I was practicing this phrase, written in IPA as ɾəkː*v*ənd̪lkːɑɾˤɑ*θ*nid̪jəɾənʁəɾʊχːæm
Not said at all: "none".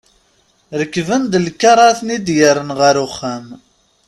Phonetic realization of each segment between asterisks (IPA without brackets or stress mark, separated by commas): v, θ